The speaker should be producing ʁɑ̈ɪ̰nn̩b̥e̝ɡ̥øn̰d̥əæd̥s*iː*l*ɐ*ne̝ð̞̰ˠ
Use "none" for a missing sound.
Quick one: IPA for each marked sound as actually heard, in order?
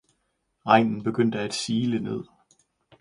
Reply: iː, ə

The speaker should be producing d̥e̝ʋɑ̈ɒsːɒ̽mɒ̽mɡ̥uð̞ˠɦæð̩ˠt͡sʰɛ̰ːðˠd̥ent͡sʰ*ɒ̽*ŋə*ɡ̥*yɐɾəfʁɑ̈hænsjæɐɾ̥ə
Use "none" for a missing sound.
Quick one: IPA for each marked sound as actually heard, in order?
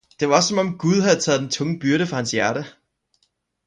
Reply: ɔ̽, b̥

